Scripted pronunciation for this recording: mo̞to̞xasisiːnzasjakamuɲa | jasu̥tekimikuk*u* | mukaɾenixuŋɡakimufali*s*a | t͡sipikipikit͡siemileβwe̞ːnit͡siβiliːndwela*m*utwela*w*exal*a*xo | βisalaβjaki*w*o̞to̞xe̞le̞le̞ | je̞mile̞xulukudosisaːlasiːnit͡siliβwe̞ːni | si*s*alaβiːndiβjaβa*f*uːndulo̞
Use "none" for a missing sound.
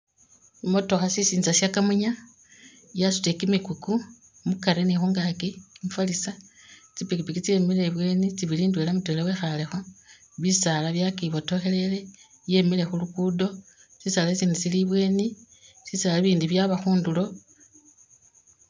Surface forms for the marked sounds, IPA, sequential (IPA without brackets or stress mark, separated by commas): u, s, m, w, e, β, s, x